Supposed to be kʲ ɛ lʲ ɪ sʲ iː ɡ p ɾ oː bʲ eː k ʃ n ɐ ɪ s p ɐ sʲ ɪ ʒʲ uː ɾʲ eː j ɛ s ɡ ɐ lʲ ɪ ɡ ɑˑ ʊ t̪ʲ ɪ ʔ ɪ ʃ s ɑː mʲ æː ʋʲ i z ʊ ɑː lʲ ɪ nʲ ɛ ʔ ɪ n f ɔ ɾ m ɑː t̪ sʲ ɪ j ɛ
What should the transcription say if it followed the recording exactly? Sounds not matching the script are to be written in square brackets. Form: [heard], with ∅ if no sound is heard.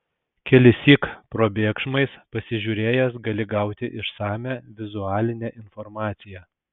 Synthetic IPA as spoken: kʲ ɛ lʲ ɪ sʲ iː [k] p ɾ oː bʲ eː k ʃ [m] ɐ ɪ s p ɐ sʲ ɪ ʒʲ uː ɾʲ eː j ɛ s ɡ ɐ lʲ ɪ ɡ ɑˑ ʊ t̪ʲ ɪ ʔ ɪ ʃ s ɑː mʲ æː ʋʲ [ɪ] z ʊ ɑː lʲ ɪ nʲ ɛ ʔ ɪ n f ɔ ɾ m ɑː t̪ sʲ ɪ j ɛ